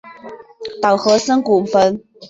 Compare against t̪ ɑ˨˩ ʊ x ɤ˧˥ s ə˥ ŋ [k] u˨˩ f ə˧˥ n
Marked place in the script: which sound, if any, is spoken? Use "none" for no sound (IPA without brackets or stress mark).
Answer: k